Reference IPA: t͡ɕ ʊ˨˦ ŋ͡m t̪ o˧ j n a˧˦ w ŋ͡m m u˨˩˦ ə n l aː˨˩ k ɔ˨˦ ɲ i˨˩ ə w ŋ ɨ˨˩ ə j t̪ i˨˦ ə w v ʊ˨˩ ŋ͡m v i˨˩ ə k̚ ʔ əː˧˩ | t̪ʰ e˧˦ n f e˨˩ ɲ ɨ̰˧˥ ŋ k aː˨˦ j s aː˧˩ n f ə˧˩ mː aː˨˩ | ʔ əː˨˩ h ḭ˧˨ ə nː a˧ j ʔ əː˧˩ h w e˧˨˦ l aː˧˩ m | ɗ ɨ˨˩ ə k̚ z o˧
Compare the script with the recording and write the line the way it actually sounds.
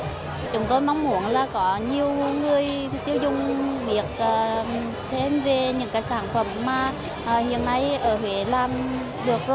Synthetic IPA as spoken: t͡ɕ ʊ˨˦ ŋ͡m t̪ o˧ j m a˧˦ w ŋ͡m m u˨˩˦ ə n l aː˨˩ k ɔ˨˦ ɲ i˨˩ ə w ŋ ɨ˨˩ ə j t̪ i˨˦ ə w z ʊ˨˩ ŋ͡m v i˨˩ ə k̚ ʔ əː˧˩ | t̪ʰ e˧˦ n v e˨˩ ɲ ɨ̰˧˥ ŋ k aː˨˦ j s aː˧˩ n f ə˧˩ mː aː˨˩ | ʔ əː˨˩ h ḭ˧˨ ə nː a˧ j ʔ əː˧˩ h w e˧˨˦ l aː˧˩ m | ɗ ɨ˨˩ ə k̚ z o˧